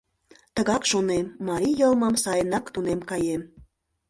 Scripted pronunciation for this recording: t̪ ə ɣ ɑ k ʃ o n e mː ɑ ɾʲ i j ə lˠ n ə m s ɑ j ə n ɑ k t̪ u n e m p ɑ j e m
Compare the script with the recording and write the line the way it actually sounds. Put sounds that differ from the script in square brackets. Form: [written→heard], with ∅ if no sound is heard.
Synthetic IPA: t̪ ə ɣ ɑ k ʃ o n e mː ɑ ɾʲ i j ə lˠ [n→m] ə m s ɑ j ə n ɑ k t̪ u n e m [p→k] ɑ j e m